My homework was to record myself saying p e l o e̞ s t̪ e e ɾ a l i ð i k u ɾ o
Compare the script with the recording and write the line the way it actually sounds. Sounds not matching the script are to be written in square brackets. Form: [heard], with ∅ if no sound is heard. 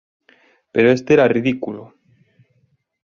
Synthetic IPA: p e [ɾ] o e̞ s t̪ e e ɾ a [r] i ð i k u [l] o